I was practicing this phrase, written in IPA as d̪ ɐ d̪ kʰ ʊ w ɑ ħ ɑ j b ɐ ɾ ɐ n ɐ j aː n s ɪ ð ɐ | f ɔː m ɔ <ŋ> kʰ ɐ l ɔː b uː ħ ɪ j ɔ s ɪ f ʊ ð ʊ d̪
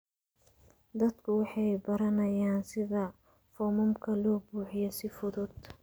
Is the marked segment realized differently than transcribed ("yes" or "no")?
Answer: yes